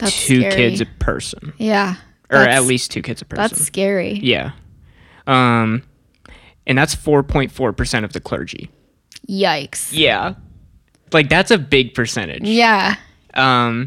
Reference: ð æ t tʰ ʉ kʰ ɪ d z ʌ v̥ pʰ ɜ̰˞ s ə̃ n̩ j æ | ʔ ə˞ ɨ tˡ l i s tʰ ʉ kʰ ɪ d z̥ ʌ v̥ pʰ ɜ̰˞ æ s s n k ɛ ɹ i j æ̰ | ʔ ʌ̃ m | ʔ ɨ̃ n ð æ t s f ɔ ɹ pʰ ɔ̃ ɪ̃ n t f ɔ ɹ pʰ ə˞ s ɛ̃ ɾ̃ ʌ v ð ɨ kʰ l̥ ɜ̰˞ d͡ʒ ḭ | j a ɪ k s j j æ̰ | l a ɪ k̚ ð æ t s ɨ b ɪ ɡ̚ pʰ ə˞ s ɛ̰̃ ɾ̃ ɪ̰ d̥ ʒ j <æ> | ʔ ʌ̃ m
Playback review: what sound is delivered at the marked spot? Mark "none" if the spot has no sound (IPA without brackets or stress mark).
æ